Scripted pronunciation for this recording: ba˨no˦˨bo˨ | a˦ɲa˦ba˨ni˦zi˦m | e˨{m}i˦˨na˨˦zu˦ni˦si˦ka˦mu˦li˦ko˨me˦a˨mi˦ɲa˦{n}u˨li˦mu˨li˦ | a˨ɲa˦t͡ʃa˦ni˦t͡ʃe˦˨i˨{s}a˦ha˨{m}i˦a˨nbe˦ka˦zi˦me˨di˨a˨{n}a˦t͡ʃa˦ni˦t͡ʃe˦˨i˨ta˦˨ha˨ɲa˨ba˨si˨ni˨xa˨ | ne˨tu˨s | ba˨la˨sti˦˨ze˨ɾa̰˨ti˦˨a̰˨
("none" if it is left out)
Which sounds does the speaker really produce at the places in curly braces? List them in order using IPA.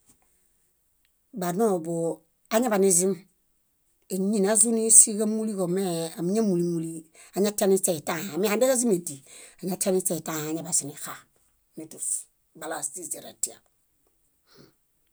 ɲ, m, t, m, ɲ

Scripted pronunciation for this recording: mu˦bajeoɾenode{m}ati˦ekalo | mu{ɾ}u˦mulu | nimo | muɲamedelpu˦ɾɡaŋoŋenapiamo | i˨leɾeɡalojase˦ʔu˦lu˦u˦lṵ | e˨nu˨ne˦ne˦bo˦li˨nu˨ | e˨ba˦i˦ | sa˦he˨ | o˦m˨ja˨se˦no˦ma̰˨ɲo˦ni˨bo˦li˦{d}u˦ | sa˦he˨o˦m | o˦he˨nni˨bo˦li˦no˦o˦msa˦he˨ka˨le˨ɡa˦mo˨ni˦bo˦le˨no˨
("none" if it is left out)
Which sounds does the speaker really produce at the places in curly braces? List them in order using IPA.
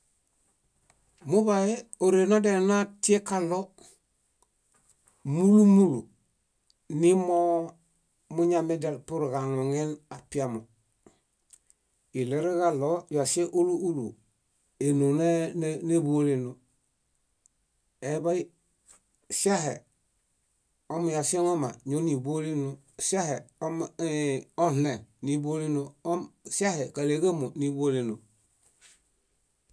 n, l, n

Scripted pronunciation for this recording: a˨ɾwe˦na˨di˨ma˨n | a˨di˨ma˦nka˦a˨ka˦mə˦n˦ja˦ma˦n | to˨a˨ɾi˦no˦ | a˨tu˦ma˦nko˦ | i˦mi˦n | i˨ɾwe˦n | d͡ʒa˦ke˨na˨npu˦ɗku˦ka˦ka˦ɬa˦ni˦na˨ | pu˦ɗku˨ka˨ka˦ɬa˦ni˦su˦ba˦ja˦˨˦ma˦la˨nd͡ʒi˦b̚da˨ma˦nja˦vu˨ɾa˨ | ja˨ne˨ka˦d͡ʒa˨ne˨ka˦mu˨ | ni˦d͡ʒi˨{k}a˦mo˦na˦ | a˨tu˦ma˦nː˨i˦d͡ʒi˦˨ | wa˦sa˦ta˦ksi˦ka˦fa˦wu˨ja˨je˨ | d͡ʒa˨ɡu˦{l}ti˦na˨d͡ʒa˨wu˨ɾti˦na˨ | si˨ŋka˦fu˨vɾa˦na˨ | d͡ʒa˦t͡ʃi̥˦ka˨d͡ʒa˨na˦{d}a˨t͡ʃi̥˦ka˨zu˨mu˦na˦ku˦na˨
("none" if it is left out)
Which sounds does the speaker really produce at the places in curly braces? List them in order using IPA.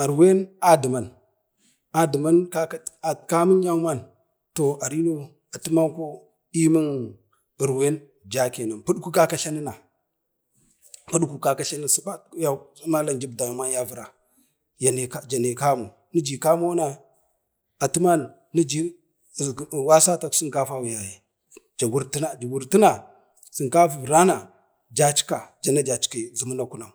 k, ɾ, d͡ʒ

